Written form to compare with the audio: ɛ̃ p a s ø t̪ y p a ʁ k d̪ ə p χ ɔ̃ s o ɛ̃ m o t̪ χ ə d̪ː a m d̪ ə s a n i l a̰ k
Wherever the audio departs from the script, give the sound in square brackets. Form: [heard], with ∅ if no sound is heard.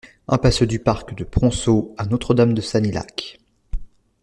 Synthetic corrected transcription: ɛ̃ p a s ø [d̪] y p a ʁ k d̪ ə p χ ɔ̃ s o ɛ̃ [n] o t̪ χ ə [d̪] a m d̪ ə s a n i l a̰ k